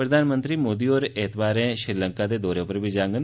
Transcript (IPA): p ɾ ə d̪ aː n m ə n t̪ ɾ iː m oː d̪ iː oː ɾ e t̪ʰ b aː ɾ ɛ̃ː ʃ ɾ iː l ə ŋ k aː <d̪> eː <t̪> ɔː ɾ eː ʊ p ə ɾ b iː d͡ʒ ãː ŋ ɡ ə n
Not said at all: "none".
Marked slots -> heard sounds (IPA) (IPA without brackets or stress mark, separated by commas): d̪, d̪